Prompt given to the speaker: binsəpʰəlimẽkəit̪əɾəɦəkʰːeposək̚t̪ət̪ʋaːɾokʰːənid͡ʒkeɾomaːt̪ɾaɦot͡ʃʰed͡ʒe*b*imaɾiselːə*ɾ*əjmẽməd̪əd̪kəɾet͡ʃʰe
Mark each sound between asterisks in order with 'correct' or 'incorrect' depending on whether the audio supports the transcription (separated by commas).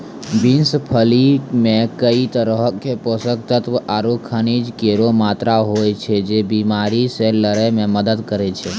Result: correct, correct